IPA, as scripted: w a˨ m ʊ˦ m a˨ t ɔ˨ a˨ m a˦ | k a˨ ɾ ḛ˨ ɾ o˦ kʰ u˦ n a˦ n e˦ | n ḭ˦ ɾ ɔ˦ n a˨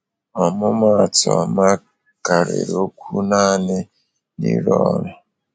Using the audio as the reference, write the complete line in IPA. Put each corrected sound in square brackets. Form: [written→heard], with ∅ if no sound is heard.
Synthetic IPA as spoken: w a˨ m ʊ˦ m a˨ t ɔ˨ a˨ m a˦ | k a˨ ɾ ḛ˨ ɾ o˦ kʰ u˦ n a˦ n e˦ | n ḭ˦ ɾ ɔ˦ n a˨